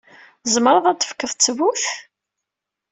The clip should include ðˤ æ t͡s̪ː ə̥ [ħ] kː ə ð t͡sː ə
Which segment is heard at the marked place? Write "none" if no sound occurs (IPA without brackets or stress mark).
f